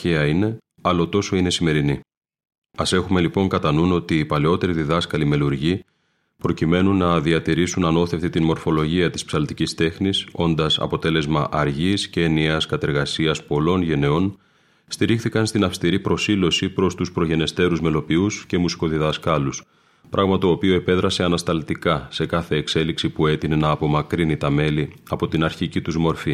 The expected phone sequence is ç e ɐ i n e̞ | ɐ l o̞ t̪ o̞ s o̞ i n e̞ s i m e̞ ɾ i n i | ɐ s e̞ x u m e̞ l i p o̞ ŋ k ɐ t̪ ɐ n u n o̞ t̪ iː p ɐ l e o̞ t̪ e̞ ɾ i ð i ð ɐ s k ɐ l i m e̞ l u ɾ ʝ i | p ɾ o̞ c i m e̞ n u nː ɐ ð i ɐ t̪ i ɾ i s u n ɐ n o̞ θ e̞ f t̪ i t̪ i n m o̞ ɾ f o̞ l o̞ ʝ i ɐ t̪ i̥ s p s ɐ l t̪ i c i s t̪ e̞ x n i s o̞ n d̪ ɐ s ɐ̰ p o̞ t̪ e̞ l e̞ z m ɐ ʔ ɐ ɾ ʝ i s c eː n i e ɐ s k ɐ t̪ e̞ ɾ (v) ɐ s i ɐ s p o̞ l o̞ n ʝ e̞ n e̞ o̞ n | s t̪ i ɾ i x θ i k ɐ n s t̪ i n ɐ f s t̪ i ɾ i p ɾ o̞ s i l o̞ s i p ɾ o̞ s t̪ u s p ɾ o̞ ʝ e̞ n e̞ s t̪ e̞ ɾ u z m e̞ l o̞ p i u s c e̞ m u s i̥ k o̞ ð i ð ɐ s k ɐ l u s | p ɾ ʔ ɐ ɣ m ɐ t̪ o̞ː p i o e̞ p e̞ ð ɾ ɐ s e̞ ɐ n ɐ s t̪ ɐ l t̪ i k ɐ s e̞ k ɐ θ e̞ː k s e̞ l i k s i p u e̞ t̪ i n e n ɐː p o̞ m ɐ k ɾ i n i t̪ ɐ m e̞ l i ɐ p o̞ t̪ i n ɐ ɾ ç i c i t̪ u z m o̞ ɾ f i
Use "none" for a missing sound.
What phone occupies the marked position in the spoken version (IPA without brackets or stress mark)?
ɣ